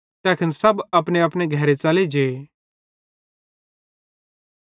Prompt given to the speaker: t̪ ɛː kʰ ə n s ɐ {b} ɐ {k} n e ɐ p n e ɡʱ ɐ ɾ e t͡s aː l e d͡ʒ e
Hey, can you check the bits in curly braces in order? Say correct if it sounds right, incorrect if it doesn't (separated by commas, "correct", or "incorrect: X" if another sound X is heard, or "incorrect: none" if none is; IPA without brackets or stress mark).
correct, incorrect: p